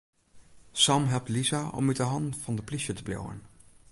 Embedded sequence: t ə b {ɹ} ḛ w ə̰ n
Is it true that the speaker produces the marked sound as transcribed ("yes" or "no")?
no